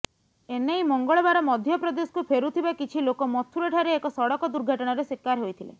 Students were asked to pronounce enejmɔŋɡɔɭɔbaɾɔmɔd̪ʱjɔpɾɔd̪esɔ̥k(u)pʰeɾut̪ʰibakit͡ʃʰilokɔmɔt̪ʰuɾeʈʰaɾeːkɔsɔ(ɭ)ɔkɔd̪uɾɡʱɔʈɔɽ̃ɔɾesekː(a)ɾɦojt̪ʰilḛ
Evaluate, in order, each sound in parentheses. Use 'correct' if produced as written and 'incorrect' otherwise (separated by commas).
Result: correct, incorrect, correct